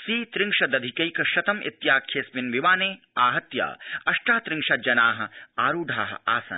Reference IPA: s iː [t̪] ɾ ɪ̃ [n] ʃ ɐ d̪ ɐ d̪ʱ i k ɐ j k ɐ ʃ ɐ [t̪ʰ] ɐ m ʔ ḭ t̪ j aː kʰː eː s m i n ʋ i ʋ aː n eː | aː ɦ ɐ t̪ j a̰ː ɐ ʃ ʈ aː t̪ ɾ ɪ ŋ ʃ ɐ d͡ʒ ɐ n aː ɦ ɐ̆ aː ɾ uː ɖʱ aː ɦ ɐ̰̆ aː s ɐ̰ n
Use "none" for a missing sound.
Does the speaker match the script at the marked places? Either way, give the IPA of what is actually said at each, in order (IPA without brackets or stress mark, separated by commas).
t̪, ŋ, t̪